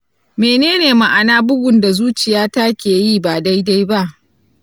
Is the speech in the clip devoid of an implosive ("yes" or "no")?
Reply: yes